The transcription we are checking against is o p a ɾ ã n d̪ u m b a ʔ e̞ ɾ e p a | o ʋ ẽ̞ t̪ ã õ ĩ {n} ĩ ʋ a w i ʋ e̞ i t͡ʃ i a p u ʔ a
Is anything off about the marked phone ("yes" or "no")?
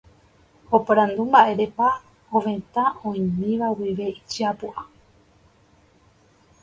yes